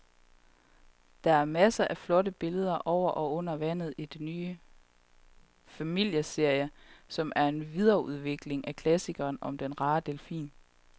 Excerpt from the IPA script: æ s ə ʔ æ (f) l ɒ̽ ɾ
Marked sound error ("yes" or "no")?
no